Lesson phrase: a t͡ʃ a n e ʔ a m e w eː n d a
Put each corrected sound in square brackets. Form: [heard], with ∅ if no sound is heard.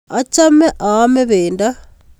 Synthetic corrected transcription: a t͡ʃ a [m] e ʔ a m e [β] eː n d a